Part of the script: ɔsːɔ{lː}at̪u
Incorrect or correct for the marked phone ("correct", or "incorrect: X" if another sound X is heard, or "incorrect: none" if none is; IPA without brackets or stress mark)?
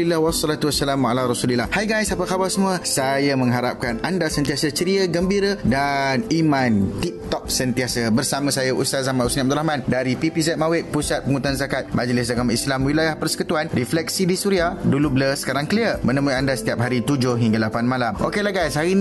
incorrect: l